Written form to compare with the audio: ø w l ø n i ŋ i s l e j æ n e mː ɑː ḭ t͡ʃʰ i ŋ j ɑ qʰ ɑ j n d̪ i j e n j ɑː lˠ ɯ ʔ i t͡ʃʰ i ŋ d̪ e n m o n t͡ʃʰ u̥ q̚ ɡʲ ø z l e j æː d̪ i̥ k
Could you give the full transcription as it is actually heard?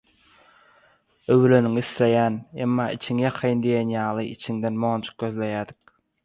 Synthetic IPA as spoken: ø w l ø n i ŋ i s l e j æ n e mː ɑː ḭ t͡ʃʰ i ŋ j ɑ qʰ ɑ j n d̪ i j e n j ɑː lˠ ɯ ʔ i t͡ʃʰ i ŋ d̪ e n m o n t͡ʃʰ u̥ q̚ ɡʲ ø z l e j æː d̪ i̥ k